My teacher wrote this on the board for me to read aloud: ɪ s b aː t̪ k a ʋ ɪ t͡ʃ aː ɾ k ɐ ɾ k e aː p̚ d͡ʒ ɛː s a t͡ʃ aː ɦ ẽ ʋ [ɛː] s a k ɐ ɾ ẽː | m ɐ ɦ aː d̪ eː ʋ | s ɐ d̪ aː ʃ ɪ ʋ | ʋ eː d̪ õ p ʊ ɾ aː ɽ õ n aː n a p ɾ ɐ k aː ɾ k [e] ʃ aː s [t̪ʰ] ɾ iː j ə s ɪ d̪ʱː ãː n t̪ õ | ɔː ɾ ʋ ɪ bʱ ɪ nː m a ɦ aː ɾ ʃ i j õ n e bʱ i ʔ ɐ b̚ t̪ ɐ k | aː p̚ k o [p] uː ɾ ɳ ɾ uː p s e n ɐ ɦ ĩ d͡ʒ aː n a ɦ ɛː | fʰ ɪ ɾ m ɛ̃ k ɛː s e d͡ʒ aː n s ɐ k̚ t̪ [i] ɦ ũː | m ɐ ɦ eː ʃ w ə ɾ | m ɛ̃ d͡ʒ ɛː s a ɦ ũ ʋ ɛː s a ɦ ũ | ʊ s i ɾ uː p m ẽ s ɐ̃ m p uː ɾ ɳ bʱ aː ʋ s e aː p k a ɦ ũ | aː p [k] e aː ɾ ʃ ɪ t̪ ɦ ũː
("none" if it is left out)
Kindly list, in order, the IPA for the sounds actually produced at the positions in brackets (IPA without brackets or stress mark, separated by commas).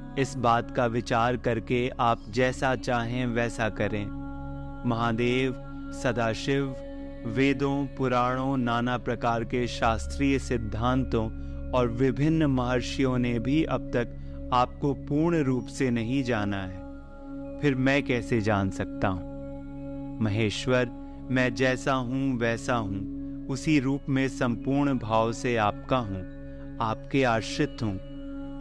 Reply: ɛː, e, t̪, p, a, k